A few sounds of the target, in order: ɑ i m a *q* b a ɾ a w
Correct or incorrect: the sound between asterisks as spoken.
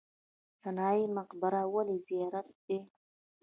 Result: correct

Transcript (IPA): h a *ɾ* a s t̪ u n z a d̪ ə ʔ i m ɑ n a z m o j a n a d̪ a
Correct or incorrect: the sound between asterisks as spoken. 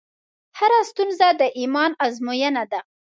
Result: correct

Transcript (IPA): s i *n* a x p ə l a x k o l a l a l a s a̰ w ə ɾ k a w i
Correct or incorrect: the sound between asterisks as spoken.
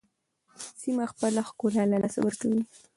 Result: incorrect: m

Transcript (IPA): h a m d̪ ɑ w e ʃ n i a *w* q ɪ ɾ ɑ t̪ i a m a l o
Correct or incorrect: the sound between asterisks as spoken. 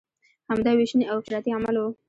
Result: correct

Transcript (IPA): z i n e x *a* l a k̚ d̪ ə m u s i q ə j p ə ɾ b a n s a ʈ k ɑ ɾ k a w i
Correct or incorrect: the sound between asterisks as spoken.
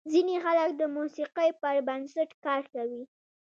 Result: correct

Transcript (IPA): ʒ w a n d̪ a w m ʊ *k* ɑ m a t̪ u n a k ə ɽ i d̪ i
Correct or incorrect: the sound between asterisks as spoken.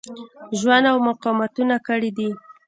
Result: incorrect: q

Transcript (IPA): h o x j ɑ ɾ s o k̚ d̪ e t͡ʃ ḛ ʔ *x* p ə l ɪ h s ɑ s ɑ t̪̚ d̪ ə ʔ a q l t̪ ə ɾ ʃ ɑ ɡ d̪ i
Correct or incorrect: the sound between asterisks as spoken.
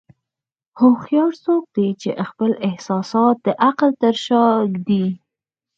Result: correct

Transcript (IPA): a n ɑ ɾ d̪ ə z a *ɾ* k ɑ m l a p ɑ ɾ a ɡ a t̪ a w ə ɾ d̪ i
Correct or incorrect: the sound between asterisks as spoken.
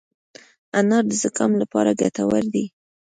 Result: incorrect: none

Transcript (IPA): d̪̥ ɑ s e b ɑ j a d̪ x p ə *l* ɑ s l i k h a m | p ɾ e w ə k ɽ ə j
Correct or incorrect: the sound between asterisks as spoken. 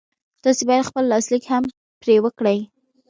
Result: incorrect: lː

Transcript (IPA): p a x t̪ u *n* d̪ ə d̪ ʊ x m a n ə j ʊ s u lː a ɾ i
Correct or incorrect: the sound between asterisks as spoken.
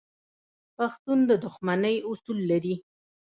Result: correct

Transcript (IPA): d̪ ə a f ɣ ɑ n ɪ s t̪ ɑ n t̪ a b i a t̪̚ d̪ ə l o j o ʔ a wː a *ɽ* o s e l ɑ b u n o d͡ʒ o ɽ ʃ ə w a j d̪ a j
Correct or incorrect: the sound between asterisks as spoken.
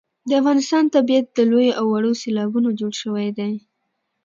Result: correct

